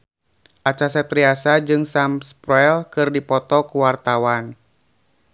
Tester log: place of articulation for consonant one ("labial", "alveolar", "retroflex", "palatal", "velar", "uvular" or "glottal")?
glottal